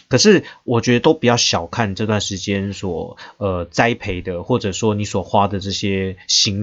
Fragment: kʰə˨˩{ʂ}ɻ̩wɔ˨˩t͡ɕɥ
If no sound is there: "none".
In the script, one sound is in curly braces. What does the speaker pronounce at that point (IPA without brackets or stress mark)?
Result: ʂ